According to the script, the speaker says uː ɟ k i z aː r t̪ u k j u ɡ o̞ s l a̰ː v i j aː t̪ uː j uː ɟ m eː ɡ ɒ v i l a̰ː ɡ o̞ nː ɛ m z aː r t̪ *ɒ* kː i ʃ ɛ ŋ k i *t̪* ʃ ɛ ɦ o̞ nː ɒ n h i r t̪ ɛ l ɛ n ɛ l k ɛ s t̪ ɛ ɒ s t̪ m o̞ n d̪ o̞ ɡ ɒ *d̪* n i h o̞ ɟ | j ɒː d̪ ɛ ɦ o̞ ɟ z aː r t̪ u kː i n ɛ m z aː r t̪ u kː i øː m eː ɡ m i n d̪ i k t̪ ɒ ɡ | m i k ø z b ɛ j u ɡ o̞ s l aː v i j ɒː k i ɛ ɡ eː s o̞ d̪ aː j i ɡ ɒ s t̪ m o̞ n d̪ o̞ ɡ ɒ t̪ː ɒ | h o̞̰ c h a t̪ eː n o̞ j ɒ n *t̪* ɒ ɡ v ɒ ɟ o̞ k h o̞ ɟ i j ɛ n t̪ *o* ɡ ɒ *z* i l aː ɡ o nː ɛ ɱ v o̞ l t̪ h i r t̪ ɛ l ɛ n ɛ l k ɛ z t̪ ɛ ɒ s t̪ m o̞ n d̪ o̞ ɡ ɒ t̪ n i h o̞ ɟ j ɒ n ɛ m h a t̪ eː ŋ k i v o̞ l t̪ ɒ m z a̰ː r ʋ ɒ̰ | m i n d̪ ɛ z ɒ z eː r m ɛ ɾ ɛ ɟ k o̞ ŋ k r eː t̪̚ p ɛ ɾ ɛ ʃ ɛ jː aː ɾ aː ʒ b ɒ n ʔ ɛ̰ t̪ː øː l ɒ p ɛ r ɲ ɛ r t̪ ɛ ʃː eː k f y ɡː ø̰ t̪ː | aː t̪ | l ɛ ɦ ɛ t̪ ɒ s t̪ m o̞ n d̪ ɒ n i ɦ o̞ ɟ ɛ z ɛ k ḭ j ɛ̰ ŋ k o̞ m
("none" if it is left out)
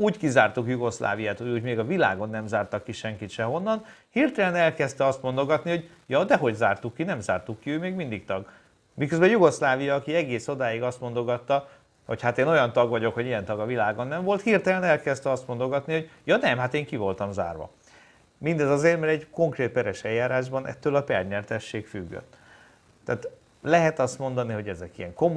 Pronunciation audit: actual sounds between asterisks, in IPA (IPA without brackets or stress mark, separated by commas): ɒ, t̪, t̪, t̪, ɒ, v